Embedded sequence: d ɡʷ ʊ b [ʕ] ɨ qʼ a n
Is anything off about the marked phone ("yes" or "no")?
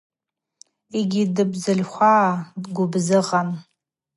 yes